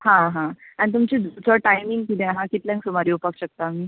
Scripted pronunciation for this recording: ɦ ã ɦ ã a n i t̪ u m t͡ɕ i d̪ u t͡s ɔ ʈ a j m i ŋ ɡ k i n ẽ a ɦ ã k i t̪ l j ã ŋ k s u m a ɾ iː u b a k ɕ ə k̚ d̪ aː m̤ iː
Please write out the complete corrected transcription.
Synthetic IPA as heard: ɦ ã ɦ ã a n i t̪ u m t͡ɕ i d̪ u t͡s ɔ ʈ a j m i ŋ ɡ k i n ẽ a ɦ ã k i t̪ l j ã ŋ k s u m a ɾ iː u p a k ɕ ə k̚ t̪ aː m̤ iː